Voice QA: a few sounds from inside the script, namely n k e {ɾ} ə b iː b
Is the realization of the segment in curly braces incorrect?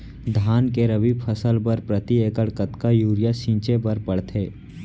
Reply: no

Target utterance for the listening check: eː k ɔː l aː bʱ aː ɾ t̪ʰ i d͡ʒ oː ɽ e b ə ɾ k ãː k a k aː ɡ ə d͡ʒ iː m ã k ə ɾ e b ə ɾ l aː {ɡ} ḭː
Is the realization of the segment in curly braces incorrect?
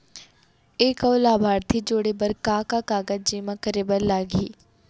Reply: no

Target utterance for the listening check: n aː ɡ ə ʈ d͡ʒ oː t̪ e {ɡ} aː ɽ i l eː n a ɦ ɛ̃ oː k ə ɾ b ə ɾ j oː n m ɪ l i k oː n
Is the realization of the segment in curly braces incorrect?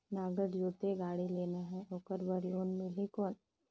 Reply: no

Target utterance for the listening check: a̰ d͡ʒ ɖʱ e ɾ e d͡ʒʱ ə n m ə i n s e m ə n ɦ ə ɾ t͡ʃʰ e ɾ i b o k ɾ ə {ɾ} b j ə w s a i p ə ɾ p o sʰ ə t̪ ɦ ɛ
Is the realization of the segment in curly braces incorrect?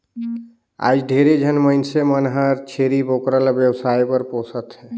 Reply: yes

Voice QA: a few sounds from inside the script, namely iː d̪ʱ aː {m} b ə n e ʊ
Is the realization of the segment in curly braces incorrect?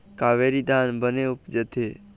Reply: yes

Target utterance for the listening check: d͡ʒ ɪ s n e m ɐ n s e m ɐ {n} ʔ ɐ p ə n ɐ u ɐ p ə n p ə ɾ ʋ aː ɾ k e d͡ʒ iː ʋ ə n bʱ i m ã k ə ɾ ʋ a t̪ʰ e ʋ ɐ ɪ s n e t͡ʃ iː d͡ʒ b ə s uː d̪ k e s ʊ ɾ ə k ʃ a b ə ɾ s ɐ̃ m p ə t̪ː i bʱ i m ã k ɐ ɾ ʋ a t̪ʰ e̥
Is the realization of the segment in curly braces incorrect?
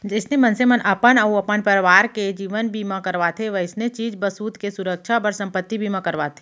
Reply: no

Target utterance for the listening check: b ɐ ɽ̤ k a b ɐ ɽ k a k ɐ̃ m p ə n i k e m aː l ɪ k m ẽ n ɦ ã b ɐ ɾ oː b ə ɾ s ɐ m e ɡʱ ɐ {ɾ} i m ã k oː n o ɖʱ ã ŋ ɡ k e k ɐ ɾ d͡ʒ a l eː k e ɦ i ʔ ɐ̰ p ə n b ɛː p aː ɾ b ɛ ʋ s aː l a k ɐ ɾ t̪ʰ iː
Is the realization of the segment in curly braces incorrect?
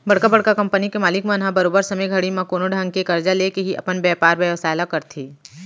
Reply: yes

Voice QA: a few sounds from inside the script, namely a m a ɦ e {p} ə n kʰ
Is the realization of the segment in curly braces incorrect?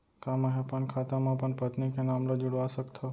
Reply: no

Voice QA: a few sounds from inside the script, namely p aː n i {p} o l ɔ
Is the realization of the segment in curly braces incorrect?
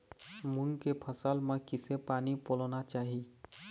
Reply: no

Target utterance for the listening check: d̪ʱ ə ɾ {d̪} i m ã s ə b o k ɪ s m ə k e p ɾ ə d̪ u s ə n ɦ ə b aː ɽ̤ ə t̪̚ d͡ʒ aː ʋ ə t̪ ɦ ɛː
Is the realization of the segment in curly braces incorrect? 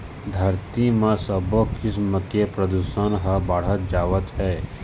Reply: yes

